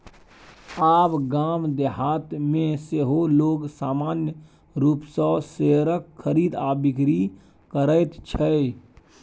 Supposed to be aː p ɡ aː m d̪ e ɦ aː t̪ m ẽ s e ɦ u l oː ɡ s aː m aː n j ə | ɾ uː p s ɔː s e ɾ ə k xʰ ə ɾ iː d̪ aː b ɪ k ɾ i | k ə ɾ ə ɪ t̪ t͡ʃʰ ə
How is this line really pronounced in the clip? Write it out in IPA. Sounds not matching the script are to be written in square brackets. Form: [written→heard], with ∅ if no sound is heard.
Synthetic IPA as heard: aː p ɡ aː m d̪ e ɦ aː t̪ m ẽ s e ɦ [u→o] l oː ɡ s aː m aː n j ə | ɾ uː p s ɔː s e ɾ ə k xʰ ə ɾ iː d̪ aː b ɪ k ɾ i | k ə ɾ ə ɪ t̪ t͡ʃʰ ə

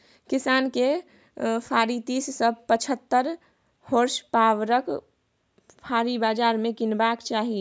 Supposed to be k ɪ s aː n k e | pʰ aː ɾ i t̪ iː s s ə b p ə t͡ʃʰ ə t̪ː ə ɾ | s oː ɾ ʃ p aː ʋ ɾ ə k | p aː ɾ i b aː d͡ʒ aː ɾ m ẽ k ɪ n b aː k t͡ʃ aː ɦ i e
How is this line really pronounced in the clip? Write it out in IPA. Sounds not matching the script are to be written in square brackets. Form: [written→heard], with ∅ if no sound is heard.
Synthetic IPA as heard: k ɪ s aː n k e | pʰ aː ɾ i t̪ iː s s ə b p ə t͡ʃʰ ə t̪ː ə ɾ | [s→h] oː ɾ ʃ p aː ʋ ɾ ə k | [p→pʰ] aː ɾ i b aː d͡ʒ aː ɾ m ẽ k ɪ n b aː k t͡ʃ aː ɦ i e

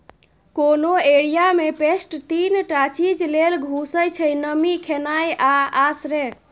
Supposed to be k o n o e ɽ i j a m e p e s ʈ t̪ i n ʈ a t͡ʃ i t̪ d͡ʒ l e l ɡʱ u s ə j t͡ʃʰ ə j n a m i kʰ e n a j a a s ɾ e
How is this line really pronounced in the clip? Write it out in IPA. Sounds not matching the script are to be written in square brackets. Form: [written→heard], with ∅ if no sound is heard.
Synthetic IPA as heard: k o n o e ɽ i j a m e p e s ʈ t̪ i n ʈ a t͡ʃ i [t̪→∅] d͡ʒ l e l ɡʱ u s ə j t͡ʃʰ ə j n [a→ə] m i kʰ e n a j a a s ɾ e

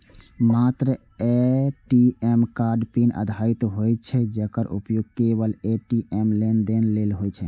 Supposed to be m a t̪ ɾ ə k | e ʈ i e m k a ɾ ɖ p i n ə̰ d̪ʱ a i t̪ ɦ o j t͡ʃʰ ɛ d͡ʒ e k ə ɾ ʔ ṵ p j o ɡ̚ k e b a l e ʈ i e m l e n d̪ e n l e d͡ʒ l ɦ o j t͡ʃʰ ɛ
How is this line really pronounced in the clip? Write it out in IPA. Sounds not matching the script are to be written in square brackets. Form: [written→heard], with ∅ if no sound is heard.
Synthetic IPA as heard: m a t̪ ɾ ə [k→∅] | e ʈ i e m k a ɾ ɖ p i n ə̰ d̪ʱ a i t̪ ɦ o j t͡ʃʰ ɛ d͡ʒ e k ə ɾ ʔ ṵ p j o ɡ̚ k e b [a→ə] l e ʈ i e m l e n d̪ e n l e [d͡ʒ→∅] l ɦ o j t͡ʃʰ ɛ

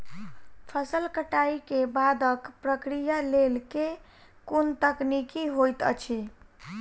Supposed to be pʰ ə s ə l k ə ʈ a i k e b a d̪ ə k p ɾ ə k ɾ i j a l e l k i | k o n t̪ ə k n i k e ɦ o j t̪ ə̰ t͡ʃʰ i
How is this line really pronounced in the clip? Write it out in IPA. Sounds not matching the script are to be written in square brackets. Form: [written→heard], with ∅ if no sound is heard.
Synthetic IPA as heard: pʰ ə s ə l k ə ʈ a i k e b a d̪ ə k p ɾ ə k ɾ i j a l e l k [i→e] | k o n t̪ ə k n i k [e→i] ɦ o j t̪ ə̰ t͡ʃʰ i

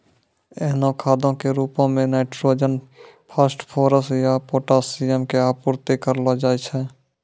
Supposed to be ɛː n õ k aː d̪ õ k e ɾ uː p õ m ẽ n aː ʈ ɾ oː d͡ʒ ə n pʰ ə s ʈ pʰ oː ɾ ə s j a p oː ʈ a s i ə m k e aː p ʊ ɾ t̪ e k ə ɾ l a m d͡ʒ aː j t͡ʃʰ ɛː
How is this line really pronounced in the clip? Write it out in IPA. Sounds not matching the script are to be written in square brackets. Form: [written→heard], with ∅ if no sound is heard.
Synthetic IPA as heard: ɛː n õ [k→kʰ] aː d̪ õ k e ɾ uː p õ m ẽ n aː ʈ ɾ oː d͡ʒ ə n pʰ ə s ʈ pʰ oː ɾ ə s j a p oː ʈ a s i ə m k e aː p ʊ ɾ t̪ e k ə ɾ l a [m→∅] d͡ʒ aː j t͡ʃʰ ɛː

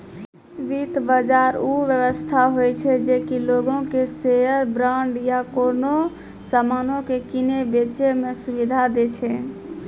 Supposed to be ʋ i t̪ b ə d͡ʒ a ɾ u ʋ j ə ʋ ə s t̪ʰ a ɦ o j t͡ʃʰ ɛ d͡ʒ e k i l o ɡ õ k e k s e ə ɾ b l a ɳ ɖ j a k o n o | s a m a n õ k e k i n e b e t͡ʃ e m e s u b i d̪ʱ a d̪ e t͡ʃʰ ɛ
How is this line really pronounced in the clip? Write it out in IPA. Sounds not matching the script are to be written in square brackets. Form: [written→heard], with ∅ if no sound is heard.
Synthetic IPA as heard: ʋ i t̪ b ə d͡ʒ a ɾ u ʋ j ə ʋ ə s t̪ʰ a ɦ o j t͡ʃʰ ɛ d͡ʒ e k i l o ɡ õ k e [k→∅] s e ə ɾ b [l→ɾ] a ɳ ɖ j a k o n o | s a m a n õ k e k i n e b e t͡ʃ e m e s u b i d̪ʱ a d̪ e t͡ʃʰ ɛ

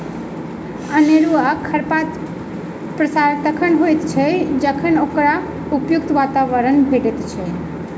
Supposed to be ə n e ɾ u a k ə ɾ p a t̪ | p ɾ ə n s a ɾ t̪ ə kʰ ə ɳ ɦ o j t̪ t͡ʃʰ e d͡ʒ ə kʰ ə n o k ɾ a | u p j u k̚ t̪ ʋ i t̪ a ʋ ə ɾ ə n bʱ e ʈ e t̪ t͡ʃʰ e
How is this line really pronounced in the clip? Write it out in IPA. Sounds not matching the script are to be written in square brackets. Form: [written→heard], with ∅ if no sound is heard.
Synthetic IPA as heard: ə n e ɾ u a [k→kʰ] ə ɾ p a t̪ | p ɾ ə [n→∅] s a ɾ t̪ ə kʰ ə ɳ ɦ o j t̪ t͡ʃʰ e d͡ʒ ə kʰ ə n o k ɾ a | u p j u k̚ t̪ ʋ [i→a] t̪ a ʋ ə ɾ ə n bʱ e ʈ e t̪ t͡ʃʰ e

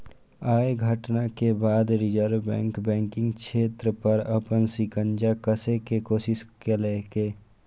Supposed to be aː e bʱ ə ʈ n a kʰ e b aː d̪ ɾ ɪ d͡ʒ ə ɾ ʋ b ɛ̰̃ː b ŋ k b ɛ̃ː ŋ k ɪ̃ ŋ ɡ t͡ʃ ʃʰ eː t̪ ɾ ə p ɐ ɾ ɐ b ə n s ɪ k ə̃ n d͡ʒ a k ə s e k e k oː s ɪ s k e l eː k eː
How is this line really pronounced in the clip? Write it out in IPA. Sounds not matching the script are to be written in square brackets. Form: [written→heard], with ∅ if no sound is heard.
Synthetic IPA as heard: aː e [bʱ→ɡʱ] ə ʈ n a [kʰ→k] e b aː d̪ ɾ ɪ d͡ʒ ə ɾ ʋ b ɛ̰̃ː [b→∅] ŋ k b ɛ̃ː ŋ k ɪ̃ ŋ ɡ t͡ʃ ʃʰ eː t̪ ɾ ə p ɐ ɾ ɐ [b→p] ə n s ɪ k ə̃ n d͡ʒ a k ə s e k e k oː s ɪ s k e l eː k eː

